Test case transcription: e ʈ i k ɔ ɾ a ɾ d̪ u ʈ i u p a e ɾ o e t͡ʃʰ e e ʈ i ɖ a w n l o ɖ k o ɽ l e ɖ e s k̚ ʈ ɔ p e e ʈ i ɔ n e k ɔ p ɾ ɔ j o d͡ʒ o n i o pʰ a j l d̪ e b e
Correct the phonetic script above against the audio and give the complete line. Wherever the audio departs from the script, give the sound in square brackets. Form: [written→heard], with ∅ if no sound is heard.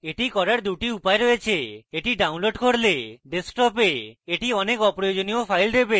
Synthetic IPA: e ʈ i k ɔ ɾ a ɾ d̪ u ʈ i u p a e ɾ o e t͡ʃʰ e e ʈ i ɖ a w n l o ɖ k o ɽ l e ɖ e s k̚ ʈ ɔ p e e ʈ i ɔ n e k ɔ p ɾ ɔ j o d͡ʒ o n i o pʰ a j l d̪ e b e